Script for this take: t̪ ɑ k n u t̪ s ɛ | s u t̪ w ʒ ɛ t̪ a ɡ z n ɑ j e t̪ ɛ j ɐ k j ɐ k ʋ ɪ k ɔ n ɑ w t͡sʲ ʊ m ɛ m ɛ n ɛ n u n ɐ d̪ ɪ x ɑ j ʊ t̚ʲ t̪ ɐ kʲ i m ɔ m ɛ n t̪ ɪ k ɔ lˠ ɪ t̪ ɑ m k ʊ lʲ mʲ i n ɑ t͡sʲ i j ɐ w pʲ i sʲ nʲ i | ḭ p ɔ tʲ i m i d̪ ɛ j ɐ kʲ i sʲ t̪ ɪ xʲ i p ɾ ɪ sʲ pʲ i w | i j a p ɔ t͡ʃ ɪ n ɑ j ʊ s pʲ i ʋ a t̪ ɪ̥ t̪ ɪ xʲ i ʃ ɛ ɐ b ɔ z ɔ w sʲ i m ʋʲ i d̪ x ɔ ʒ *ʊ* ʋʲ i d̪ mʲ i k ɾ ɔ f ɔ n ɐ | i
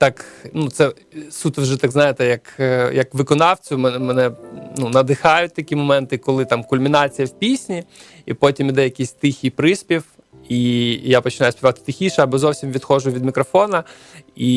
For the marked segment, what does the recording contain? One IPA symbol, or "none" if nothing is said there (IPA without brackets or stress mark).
ʊ